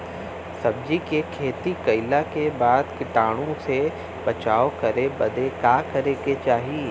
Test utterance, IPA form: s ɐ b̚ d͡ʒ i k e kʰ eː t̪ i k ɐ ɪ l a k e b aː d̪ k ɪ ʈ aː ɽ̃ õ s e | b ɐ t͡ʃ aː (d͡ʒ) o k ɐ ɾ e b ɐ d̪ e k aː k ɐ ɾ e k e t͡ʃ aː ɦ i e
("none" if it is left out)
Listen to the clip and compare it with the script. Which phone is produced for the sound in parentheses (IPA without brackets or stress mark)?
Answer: none